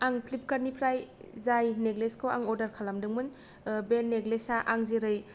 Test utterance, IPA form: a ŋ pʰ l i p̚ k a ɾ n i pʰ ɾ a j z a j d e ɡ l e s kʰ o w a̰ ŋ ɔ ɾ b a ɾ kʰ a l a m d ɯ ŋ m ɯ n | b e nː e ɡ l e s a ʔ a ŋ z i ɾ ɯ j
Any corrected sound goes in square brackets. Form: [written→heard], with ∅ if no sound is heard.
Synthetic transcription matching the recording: a ŋ pʰ l i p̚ k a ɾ n i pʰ ɾ a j z a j [d→n] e ɡ l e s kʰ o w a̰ ŋ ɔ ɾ [b→d] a ɾ kʰ a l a m d ɯ ŋ m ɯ n | b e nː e ɡ l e s a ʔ a ŋ z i ɾ ɯ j